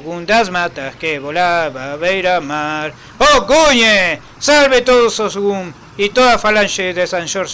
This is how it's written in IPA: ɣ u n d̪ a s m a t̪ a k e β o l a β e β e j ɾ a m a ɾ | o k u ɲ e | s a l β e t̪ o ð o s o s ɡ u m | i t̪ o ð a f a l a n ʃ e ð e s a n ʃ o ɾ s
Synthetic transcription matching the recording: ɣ u n d̪ a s m a t̪ a k e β o l a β a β e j ɾ a m a ɾ | o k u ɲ e | s a l β e t̪ o ð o s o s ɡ u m | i t̪ o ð a f a l a n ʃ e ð e s a n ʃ o ɾ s